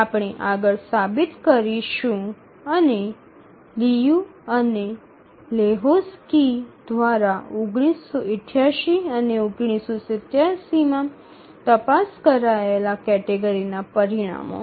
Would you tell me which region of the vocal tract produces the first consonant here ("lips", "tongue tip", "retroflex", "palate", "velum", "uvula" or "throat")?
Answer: lips